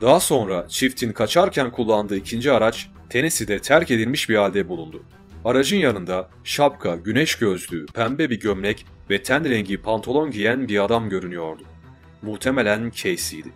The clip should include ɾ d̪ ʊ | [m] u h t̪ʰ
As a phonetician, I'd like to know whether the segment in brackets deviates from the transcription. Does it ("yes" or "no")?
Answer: no